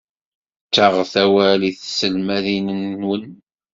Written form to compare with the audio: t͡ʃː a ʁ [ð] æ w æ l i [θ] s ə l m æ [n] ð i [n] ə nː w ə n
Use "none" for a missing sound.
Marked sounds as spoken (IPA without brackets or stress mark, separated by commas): θ, θ, none, n